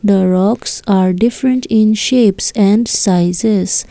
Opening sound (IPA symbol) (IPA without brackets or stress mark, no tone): d̪